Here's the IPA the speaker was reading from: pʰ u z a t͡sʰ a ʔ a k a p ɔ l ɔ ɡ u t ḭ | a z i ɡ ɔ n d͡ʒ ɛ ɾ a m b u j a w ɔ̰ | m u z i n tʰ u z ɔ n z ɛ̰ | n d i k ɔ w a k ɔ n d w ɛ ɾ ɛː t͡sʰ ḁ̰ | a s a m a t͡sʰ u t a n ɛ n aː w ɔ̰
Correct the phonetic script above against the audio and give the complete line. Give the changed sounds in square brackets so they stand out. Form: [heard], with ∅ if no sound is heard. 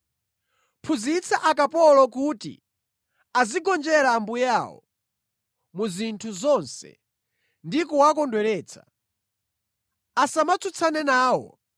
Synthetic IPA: pʰ u z [i] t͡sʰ a ʔ a k a p ɔ l ɔ [k] u t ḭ | a z i ɡ ɔ n d͡ʒ ɛ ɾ a m b u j a w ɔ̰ | m u z i n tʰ u z ɔ n [s] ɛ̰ | n d i k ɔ w a k ɔ n d w ɛ ɾ ɛː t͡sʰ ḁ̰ | a s a m a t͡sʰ u [t͡sʰ] a n ɛ n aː w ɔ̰